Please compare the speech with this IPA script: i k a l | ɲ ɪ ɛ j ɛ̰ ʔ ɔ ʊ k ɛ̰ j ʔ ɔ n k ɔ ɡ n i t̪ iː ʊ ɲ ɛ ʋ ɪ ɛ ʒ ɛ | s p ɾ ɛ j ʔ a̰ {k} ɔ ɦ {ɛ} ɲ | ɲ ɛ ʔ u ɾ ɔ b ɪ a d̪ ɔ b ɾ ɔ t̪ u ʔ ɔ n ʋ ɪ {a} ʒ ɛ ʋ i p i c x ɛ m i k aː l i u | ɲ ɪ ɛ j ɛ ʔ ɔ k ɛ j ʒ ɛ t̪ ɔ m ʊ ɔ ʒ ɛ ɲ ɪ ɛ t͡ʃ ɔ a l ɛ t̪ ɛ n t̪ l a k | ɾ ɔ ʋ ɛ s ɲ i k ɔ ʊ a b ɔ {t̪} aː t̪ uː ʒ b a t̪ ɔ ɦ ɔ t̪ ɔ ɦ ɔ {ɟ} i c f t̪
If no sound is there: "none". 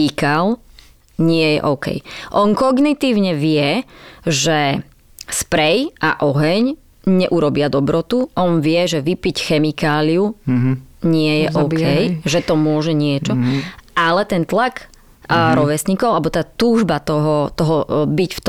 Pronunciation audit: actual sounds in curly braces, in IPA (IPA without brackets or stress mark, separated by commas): ʔ, ɛ, ɛ, t̪, b